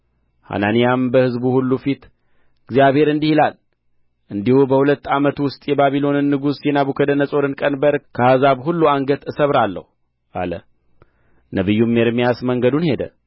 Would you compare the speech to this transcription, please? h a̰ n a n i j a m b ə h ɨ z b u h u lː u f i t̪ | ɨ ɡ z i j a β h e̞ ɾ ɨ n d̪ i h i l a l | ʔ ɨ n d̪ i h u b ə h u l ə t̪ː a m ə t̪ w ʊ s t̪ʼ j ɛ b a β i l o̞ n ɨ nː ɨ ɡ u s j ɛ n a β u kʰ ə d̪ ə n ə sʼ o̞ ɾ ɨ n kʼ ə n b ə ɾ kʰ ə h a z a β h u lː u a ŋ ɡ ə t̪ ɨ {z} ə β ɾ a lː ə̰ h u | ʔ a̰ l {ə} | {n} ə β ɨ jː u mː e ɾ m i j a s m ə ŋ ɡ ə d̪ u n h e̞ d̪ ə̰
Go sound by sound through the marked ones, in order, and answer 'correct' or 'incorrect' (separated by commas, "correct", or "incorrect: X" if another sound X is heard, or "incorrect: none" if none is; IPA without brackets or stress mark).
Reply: incorrect: s, correct, correct